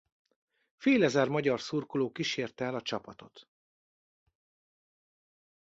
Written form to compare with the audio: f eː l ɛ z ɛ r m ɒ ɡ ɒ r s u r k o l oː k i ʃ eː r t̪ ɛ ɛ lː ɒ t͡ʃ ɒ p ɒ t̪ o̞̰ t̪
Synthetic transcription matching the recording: f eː l ɛ z ɛ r m ɒ ɟ ɒ r s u r k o l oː k i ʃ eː r t̪ ɛ ɛ l ɒ t͡ʃ ɒ p ɒ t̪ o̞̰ t̪